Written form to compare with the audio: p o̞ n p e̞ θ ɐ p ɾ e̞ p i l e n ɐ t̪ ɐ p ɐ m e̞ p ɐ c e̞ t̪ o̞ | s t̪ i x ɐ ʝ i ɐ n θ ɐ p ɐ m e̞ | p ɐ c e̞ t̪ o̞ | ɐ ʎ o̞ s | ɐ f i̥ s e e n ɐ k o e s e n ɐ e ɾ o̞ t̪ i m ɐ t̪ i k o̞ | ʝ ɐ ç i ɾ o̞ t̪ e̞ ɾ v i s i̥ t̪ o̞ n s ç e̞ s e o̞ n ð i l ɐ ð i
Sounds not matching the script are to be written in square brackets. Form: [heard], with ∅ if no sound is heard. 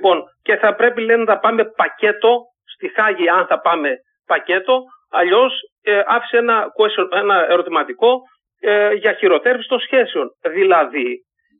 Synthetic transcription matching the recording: p o̞ n [c] e̞ θ ɐ p ɾ e̞ p i l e n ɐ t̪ ɐ p ɐ m e̞ p ɐ c e̞ t̪ o̞ | s t̪ i x ɐ ʝ i ɐ n θ ɐ p ɐ m e̞ | p ɐ c e̞ t̪ o̞ | ɐ ʎ o̞ s | ɐ f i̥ s e e n ɐ k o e s e n ɐ e ɾ o̞ t̪ i m ɐ t̪ i k o̞ | ʝ ɐ ç i ɾ o̞ t̪ e̞ ɾ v i s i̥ t̪ o̞ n s ç e̞ s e o̞ n ð i l ɐ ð i